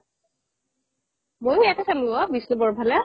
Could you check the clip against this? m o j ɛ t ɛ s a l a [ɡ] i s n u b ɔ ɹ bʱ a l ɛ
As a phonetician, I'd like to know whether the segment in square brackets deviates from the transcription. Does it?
yes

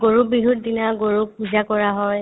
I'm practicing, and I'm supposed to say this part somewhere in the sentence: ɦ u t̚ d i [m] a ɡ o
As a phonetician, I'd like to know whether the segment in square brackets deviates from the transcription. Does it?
yes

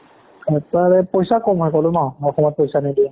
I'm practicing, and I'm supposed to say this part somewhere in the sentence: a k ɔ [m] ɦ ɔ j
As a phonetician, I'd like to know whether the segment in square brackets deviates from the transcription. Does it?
no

